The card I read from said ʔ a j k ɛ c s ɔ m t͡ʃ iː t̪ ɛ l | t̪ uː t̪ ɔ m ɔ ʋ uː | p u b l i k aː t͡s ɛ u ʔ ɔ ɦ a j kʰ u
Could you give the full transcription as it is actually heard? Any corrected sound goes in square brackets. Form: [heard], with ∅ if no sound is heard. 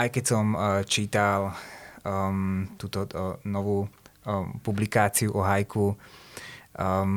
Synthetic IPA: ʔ a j k ɛ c s ɔ m t͡ʃ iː t̪ [a] l | t̪ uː t̪ ɔ [n] ɔ ʋ uː | p u b l i k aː t͡s [i] u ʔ ɔ ɦ a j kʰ u